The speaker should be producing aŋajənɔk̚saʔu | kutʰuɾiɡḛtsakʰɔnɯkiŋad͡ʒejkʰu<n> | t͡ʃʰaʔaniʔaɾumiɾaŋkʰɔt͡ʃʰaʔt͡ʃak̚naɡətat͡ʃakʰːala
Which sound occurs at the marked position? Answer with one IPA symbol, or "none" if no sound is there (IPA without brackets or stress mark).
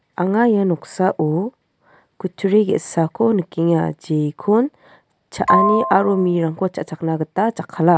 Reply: n